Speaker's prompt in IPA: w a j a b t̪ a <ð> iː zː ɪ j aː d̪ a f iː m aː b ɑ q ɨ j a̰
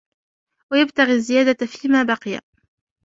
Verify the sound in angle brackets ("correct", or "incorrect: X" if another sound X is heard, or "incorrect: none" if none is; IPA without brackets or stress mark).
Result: incorrect: ɣ